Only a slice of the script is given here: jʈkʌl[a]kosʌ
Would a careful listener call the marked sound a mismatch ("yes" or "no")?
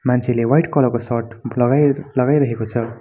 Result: yes